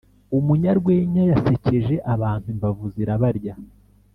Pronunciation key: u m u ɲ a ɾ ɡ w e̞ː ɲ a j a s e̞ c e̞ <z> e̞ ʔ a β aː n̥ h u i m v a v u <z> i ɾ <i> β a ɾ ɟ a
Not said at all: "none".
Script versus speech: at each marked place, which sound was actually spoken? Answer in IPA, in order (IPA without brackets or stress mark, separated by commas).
ʒ, z, a